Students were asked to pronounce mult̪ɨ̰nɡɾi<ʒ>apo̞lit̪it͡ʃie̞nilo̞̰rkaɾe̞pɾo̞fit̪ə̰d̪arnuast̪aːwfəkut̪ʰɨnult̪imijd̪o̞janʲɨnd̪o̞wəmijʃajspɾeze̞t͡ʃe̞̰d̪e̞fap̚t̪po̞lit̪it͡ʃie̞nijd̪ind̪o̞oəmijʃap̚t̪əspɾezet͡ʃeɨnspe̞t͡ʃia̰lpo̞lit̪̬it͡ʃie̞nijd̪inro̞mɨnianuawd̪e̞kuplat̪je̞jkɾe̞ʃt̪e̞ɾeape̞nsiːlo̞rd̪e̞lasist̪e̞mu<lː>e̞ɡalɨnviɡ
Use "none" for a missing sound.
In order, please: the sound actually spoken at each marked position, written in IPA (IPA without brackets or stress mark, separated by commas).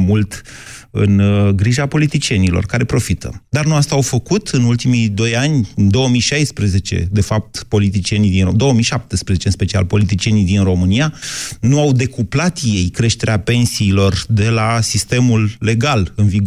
ʒ, lː